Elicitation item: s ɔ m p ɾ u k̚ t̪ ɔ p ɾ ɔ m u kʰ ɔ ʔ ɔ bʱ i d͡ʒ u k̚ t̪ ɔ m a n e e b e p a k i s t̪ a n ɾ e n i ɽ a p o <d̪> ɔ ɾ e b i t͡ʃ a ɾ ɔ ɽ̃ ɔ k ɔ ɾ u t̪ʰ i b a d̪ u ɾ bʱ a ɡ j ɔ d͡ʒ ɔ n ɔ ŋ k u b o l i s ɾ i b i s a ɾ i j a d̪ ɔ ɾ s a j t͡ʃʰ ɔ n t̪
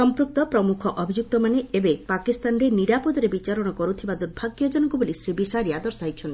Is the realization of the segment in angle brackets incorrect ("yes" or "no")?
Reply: no